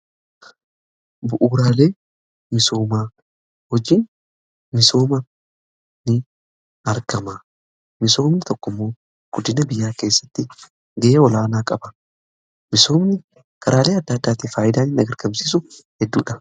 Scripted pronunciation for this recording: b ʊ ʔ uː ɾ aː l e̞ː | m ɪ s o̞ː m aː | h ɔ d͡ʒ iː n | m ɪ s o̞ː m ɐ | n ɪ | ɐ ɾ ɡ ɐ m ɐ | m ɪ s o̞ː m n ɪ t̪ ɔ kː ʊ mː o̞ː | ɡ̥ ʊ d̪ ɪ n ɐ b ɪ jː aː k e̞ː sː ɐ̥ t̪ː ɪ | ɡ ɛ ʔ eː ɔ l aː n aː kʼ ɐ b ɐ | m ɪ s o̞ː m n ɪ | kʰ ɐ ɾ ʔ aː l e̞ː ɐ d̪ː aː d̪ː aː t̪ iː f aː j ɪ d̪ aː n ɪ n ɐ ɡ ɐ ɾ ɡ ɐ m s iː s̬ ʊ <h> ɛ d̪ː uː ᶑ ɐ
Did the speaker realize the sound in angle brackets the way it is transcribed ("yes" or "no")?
yes